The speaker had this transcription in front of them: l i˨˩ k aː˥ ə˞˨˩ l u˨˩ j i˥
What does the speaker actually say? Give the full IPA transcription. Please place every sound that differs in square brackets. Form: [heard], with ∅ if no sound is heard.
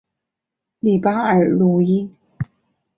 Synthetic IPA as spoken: l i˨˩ [p] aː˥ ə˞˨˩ l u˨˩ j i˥